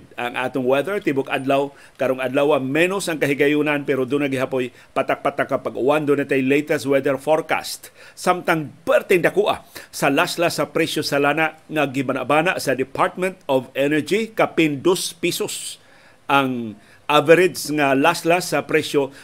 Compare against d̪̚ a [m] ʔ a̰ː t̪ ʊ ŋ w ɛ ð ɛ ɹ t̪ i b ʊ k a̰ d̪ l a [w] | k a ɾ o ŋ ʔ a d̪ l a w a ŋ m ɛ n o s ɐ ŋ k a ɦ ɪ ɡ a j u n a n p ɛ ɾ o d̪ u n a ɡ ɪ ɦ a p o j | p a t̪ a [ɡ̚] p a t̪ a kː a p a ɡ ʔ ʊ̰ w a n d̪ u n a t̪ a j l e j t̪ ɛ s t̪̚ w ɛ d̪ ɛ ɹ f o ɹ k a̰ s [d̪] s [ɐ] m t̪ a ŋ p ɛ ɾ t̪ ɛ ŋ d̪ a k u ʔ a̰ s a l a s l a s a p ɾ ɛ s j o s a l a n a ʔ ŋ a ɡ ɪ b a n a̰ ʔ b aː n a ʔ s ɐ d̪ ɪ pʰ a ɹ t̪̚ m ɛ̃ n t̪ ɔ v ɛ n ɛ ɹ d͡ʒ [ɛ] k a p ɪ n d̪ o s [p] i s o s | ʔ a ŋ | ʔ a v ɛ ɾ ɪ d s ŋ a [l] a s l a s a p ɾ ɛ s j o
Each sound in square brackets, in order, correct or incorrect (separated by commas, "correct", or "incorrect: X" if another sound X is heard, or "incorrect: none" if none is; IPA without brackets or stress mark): incorrect: ŋ, correct, incorrect: k̚, incorrect: t̪, incorrect: a, incorrect: i, correct, correct